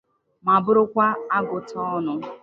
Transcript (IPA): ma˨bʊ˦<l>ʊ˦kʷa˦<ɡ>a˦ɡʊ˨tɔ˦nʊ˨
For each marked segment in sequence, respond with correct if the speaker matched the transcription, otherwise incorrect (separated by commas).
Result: incorrect, incorrect